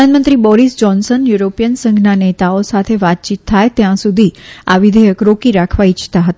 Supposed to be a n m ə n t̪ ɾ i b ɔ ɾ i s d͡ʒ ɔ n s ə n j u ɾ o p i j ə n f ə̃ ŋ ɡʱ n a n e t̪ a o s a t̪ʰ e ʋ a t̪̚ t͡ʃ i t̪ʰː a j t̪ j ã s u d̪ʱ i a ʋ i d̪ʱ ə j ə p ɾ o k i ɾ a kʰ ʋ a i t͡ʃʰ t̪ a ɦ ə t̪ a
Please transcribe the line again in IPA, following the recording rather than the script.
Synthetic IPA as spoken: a n m ə n t̪ ɾ i b ɔ ɾ i s d͡ʒ ɔ n s ə n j u ɾ o p i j ə n s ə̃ ŋ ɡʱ n a n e t̪ a o s a t̪ʰ e ʋ a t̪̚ t͡ʃ i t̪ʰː a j t̪ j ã s u d̪ʱ i a ʋ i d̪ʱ ə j ə k ɾ o k i ɾ a kʰ ʋ a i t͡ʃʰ t̪ a ɦ ə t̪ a